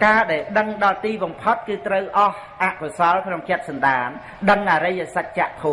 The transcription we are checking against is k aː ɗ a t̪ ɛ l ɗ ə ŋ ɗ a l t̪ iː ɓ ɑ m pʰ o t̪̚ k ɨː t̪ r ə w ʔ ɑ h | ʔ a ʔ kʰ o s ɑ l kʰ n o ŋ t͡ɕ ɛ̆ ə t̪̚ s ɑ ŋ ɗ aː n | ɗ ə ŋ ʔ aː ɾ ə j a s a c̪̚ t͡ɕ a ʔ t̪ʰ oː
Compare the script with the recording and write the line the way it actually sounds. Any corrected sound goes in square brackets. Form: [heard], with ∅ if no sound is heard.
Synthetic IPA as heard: k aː ɗ a [∅] ɛ l ɗ ə ŋ ɗ [ɑ] l t̪ iː ɓ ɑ m pʰ o t̪̚ k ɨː t̪ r ə w ʔ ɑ h | ʔ a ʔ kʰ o s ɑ l kʰ n o ŋ t͡ɕ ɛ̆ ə t̪̚ s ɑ [n] ɗ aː n | ɗ ə ŋ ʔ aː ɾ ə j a s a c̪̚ t͡ɕ a ʔ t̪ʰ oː